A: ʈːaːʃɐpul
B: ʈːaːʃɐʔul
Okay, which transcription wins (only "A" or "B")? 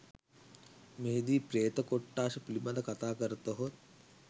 A